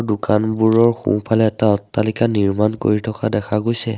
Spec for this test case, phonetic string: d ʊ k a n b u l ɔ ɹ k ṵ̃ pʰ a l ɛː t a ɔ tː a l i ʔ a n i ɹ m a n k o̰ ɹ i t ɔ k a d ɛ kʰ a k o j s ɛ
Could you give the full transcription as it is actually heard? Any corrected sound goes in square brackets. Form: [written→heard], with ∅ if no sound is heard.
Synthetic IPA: d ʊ k a n b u [l→ɹ] ɔ ɹ [k→x] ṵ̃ pʰ a l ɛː t a ɔ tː a l i [ʔ→k] a n i ɹ m a n k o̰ ɹ i [t→tʰ] ɔ k a d ɛ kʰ a [k→ɡ] o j s ɛ